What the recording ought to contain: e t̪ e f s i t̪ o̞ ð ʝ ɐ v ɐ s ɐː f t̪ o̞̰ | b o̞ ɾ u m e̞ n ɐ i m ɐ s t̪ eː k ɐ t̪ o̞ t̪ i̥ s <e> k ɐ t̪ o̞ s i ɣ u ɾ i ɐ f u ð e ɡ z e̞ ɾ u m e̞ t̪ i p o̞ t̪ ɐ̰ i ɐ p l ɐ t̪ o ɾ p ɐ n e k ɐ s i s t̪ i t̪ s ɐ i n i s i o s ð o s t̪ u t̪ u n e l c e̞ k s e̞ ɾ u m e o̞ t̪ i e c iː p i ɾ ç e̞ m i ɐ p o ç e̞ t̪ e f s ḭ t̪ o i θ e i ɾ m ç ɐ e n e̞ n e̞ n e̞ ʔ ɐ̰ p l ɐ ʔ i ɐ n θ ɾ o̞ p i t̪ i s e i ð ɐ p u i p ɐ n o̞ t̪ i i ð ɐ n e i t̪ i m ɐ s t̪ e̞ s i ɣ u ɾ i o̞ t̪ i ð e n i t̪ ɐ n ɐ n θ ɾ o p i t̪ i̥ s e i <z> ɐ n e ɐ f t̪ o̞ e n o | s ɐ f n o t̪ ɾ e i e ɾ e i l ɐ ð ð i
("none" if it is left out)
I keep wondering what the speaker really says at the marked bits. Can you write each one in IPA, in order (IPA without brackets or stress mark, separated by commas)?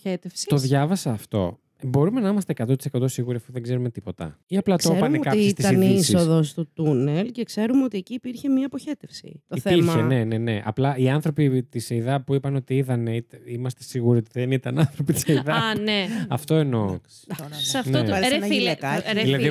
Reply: e, ð